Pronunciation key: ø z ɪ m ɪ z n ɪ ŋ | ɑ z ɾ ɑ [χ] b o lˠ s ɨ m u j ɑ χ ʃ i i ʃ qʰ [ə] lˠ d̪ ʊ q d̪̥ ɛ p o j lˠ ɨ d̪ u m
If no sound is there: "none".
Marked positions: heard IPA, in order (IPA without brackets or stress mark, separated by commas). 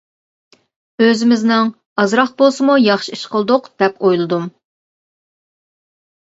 χ, ə